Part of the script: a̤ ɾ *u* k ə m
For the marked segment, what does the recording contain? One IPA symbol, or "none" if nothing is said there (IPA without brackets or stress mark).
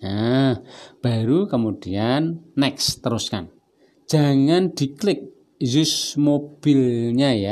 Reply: u